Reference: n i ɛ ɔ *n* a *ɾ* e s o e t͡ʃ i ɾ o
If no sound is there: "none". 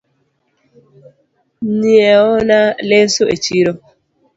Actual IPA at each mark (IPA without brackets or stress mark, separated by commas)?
n, l